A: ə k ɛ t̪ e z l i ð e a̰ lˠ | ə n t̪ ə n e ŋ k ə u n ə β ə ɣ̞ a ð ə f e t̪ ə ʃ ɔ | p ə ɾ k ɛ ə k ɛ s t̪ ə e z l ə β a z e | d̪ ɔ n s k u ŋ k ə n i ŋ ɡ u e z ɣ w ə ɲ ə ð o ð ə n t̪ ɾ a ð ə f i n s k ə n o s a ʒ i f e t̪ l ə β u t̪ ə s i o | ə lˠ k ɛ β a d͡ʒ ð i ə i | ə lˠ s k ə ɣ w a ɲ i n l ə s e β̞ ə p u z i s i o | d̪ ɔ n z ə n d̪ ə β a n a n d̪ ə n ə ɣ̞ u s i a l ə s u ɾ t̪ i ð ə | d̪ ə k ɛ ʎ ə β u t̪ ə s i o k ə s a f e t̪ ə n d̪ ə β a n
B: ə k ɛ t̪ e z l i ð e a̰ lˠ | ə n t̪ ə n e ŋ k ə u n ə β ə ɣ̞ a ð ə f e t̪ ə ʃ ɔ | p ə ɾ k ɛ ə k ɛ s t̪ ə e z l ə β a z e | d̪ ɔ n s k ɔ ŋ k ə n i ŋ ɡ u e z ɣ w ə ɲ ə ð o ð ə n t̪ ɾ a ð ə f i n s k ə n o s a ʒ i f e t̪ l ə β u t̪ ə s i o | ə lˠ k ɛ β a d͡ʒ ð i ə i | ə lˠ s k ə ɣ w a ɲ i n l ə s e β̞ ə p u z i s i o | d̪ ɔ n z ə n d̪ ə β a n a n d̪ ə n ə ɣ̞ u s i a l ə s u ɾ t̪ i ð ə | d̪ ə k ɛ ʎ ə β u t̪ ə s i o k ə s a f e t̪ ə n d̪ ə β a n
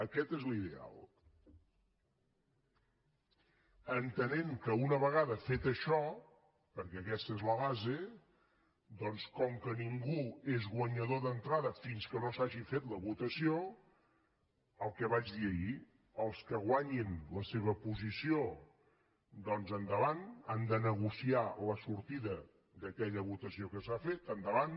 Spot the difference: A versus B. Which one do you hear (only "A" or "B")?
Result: B